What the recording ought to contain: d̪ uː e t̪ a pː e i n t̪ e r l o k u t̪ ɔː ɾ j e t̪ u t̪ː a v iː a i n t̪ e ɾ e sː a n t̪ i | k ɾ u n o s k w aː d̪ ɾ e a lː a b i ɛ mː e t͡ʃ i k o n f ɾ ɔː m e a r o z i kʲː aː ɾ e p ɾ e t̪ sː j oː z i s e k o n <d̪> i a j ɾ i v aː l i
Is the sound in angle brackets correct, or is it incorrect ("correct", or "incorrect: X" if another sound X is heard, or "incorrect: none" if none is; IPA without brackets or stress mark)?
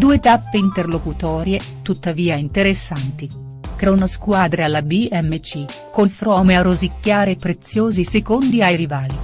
correct